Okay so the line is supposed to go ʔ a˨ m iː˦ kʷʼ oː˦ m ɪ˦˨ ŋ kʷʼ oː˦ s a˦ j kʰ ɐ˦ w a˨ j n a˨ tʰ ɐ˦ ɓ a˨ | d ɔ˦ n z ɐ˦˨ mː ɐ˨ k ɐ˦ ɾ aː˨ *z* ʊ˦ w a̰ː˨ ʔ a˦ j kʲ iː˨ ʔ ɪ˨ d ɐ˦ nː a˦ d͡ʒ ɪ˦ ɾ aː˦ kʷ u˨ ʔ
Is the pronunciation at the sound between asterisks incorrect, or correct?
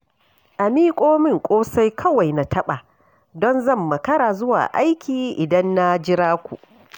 correct